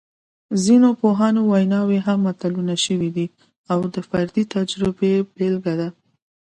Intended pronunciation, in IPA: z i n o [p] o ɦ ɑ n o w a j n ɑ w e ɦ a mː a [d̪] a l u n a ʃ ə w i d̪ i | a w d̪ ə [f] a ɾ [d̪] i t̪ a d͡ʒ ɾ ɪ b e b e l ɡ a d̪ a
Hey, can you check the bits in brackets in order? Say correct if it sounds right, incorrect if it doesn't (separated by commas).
correct, incorrect, correct, correct